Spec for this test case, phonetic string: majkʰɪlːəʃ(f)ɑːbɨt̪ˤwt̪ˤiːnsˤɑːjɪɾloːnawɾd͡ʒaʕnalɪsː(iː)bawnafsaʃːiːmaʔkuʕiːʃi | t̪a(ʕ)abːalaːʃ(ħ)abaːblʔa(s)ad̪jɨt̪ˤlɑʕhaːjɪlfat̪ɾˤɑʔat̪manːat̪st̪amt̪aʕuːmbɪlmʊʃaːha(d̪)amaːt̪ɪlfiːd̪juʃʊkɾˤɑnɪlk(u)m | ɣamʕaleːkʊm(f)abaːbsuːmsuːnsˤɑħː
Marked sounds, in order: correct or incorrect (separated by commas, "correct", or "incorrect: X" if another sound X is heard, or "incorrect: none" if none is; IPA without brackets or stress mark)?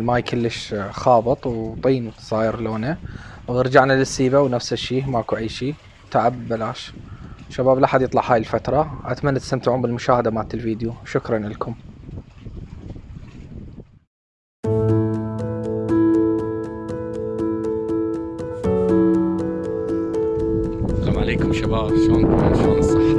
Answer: incorrect: x, correct, correct, incorrect: ʃ, incorrect: ħ, correct, incorrect: ʊ, incorrect: ʃ